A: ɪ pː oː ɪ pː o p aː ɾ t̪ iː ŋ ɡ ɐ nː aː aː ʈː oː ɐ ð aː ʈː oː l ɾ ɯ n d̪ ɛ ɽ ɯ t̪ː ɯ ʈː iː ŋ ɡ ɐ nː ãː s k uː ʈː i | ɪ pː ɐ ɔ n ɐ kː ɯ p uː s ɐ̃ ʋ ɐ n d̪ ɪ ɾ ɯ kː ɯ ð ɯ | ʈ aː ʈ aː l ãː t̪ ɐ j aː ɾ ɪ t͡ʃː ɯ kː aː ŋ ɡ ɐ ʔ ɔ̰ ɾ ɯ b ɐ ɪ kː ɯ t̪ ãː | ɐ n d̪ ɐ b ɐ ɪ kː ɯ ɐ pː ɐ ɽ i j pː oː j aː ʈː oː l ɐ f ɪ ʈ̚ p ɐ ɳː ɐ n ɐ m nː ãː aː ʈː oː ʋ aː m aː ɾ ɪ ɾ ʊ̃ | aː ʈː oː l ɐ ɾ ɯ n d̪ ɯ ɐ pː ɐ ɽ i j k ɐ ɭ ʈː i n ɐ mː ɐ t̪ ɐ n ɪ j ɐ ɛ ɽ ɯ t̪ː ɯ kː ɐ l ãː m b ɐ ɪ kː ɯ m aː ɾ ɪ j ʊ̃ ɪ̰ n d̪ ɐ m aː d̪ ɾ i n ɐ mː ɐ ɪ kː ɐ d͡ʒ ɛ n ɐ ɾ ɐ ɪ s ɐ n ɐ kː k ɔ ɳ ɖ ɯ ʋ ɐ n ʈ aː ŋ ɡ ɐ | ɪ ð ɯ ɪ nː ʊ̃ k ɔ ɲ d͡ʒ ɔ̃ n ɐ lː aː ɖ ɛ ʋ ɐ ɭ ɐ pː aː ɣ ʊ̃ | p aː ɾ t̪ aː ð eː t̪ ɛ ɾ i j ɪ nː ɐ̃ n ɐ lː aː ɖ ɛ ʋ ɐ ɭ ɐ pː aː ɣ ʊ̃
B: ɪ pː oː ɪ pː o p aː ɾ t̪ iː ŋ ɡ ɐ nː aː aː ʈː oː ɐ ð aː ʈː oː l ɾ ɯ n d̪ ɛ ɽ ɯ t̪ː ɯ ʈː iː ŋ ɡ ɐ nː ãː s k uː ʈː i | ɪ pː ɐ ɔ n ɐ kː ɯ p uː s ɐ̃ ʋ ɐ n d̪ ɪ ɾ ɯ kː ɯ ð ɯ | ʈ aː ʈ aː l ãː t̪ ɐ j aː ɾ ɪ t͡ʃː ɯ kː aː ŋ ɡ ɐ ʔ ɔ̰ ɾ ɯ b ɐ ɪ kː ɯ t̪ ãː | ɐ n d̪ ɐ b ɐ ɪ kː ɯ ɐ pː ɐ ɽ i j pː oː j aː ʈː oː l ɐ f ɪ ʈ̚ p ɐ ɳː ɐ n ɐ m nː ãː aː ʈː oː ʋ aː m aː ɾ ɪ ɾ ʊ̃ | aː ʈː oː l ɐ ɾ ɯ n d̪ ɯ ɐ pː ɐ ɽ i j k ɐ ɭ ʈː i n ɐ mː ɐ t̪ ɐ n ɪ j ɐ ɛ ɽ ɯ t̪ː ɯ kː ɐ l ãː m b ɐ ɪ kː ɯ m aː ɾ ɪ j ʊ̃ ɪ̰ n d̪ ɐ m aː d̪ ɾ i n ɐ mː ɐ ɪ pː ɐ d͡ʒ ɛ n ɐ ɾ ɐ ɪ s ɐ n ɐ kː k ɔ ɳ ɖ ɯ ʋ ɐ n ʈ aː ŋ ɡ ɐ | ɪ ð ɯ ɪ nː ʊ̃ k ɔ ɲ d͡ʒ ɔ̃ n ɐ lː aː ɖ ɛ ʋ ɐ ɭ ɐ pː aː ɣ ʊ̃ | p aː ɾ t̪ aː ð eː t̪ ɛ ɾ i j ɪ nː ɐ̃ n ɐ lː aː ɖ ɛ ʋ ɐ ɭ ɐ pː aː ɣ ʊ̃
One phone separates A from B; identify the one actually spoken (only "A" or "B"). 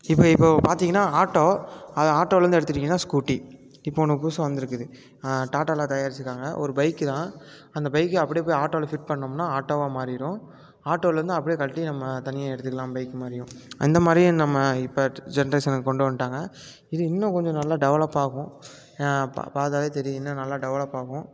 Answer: B